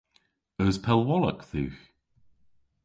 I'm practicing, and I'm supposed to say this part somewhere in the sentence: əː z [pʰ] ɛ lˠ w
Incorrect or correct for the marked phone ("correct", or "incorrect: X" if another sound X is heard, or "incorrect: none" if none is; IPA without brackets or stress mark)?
correct